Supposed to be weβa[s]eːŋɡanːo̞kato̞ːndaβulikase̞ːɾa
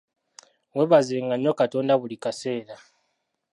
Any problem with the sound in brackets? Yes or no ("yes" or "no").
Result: yes